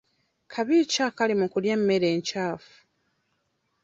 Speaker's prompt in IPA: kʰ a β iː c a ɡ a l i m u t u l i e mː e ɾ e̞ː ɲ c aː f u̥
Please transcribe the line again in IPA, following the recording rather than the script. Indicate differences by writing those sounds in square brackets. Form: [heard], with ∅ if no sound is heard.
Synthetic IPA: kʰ a β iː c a [k] a l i m u [k] u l [j] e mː e ɾ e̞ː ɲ c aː f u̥